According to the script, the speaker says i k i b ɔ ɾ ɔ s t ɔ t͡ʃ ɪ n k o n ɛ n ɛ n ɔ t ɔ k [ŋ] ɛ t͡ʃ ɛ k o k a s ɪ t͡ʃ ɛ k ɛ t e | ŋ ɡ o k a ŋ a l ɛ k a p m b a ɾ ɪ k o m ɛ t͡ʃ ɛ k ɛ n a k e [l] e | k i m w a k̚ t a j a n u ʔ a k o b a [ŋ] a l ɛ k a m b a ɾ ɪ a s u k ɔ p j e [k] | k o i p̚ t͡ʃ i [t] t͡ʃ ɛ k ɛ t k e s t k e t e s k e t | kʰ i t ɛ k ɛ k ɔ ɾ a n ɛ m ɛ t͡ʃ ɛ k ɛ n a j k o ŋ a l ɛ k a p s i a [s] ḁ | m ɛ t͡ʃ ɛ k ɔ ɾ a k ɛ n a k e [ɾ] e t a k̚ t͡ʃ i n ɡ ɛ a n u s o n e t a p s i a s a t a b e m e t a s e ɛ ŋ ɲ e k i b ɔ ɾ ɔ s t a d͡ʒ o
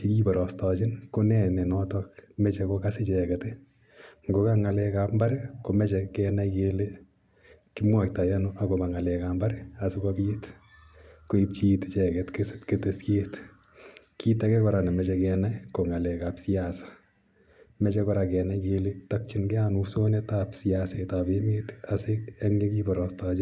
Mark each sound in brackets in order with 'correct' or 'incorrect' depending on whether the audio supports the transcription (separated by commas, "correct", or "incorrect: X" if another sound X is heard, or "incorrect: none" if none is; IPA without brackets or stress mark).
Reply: incorrect: m, correct, correct, incorrect: t, correct, correct, incorrect: l